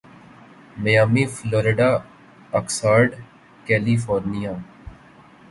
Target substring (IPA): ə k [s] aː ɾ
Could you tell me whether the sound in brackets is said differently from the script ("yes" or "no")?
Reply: no